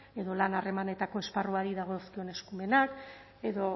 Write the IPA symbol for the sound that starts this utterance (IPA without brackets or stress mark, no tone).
e̞